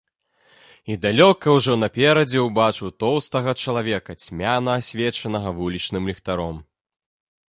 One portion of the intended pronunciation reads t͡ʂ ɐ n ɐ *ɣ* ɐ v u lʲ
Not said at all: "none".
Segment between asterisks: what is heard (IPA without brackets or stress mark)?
ɣ